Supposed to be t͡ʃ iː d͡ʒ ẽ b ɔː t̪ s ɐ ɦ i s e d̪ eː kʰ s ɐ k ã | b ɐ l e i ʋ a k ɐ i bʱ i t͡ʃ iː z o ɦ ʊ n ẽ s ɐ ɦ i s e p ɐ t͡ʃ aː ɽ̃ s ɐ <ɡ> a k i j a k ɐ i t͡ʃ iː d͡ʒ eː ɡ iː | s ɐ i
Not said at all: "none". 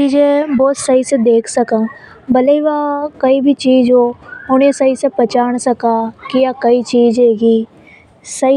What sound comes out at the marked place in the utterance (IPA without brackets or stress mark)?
k